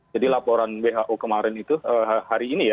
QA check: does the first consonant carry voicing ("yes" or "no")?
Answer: yes